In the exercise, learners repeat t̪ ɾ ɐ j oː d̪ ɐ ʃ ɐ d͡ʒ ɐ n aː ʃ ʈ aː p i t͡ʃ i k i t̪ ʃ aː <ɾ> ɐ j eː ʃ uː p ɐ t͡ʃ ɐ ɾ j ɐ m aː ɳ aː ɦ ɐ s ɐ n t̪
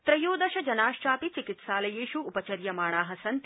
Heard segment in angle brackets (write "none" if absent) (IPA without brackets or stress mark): l